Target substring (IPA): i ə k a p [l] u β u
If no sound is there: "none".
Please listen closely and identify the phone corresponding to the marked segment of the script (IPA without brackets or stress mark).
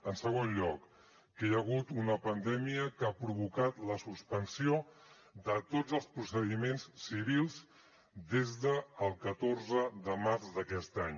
ɾ